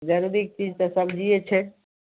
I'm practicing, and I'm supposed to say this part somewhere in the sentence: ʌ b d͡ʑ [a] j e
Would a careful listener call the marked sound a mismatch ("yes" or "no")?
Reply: yes